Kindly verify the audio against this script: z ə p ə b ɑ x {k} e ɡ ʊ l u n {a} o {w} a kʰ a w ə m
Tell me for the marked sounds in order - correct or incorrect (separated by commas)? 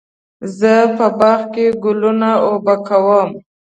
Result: correct, correct, incorrect